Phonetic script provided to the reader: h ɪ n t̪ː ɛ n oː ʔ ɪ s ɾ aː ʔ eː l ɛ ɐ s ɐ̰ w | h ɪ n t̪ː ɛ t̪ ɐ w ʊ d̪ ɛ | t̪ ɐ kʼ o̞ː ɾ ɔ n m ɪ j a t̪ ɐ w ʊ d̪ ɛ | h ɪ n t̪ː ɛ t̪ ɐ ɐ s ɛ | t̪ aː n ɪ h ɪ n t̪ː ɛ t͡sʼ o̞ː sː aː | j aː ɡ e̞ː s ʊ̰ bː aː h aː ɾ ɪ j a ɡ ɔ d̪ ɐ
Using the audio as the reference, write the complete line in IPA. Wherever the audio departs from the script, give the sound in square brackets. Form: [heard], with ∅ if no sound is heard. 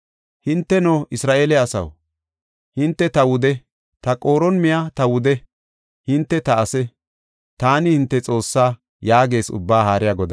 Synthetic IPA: h ɪ n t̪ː ɛ n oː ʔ ɪ s ɾ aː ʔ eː l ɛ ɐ s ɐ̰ w | h ɪ n t̪ː ɛ t̪ ɐ w ʊ d̪ ɛ | t̪ ɐ kʼ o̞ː ɾ ɔ n m ɪ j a t̪ ɐ w ʊ d̪ ɛ | h ɪ n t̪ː ɛ t̪ ɐ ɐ s ɛ | t̪ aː n ɪ h ɪ n t̪ː ɛ t͡sʼ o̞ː sː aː | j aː ɡ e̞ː s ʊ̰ bː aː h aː ɾ ɪ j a ɡ ɔ d̪ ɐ